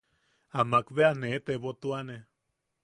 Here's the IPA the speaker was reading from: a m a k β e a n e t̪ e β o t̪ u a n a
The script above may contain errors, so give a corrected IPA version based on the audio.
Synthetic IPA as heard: a m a k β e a n e t̪ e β o t̪ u a n e